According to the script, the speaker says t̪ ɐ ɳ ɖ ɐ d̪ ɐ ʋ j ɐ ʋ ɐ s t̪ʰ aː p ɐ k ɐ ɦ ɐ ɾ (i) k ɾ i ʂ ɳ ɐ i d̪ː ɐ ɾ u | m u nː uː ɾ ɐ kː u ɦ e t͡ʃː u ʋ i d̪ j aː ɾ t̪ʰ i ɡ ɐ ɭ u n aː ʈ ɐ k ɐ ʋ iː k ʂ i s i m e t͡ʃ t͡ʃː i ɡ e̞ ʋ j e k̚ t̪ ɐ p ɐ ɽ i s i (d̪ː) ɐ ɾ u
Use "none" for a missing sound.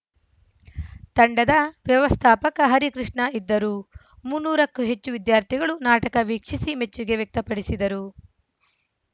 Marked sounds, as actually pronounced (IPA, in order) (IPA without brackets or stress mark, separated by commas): i, d̪